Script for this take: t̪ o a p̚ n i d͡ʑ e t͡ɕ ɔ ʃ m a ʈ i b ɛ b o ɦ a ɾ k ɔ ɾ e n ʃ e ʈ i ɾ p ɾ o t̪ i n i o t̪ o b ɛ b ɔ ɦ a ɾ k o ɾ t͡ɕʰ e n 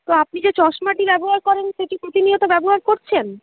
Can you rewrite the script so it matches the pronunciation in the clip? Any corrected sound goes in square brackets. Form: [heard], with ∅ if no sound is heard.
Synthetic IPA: t̪ o a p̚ n i d͡ʑ e t͡ɕ ɔ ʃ m a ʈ i b ɛ b o ɦ a ɾ k ɔ ɾ e n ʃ e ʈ i [∅] p ɾ o t̪ i n i o t̪ o b ɛ b [o] ɦ a ɾ k o ɾ t͡ɕʰ e n